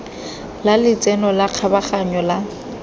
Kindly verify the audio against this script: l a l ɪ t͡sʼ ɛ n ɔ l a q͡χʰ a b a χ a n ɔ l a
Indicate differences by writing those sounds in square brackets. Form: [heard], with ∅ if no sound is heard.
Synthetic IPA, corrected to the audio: l a l ɪ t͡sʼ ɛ n ɔ l a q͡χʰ a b a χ a [ɲ] ɔ l a